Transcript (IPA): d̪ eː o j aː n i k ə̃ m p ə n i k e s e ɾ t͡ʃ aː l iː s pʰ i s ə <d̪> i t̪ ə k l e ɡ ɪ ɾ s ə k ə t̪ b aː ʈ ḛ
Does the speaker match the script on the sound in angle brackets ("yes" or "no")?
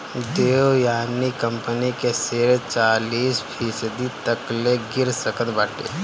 yes